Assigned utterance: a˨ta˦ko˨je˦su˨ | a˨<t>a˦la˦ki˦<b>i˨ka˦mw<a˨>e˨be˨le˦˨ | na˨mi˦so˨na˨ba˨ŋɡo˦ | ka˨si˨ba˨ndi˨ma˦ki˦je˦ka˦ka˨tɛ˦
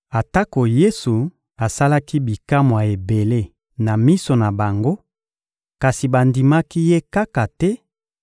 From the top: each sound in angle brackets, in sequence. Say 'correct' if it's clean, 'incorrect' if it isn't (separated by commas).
incorrect, correct, correct